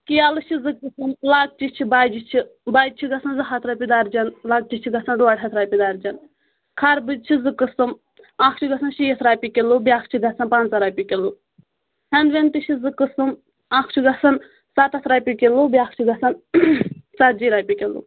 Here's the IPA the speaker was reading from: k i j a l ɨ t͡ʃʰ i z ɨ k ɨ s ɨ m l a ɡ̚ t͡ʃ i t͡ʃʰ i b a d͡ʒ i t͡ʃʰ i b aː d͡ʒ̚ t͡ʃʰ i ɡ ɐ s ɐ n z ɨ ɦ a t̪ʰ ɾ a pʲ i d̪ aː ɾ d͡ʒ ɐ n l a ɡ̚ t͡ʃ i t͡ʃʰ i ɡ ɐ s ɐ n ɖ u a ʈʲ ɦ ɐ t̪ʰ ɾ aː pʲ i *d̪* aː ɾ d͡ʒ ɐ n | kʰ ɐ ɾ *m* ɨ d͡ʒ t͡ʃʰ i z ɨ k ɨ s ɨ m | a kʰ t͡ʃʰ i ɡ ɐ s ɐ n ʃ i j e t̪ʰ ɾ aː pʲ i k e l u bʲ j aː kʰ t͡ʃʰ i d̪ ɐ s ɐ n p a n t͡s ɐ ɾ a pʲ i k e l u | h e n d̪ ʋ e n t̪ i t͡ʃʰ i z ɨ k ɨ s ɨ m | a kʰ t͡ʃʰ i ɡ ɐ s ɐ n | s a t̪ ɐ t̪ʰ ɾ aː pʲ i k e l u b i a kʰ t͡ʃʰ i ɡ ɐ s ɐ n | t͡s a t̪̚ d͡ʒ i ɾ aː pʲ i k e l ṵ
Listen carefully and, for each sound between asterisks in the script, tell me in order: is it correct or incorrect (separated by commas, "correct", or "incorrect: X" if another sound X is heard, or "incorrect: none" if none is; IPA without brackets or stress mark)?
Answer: correct, incorrect: b